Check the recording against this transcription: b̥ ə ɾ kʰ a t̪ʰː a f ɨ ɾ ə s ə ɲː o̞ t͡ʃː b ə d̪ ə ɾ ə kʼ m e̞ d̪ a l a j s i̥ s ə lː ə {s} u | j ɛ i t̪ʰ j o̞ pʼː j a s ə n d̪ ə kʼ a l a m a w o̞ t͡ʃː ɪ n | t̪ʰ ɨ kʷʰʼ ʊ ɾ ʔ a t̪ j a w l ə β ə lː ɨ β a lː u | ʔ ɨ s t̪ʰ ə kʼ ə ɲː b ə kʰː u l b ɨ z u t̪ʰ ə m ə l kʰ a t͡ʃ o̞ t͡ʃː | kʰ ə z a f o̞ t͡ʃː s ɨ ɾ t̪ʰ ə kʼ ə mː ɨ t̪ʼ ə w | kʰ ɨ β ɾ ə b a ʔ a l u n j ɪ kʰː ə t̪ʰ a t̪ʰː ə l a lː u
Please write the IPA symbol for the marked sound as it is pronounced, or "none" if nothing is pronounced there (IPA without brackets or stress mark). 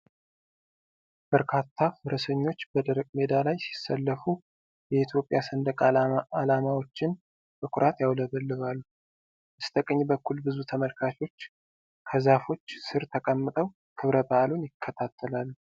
f